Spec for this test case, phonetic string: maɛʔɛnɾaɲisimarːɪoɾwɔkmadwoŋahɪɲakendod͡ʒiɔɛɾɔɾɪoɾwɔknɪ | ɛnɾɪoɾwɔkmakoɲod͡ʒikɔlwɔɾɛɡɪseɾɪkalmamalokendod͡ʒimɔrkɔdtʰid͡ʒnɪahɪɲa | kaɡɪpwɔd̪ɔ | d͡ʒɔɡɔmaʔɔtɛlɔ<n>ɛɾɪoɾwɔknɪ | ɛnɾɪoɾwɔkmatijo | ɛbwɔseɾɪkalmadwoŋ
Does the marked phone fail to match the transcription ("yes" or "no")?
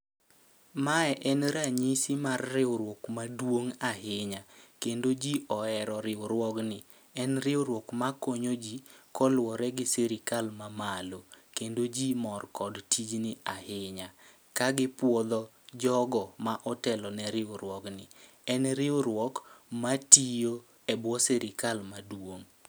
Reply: no